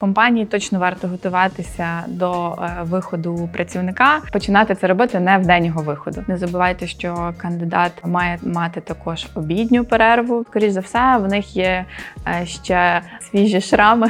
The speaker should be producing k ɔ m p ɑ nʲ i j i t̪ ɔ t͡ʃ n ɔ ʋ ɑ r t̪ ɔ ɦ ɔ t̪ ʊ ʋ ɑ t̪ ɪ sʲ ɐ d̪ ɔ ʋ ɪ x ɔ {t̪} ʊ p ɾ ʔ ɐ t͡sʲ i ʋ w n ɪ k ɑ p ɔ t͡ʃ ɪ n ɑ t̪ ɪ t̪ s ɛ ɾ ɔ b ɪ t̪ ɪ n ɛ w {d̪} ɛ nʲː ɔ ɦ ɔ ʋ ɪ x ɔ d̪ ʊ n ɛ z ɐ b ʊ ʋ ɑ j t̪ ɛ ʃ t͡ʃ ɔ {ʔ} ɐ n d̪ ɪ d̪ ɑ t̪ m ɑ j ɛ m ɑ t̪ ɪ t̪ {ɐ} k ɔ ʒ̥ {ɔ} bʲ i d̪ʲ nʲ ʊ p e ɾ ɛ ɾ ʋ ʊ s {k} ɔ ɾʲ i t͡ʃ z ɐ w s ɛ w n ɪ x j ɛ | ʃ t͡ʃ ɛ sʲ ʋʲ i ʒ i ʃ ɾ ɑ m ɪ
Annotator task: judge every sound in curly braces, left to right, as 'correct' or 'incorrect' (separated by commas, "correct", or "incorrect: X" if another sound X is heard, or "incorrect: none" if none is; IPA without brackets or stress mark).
incorrect: d̪, correct, incorrect: k, correct, correct, correct